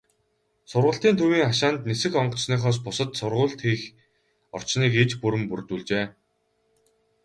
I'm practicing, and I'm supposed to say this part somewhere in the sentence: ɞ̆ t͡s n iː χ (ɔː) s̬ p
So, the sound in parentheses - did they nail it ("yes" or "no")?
yes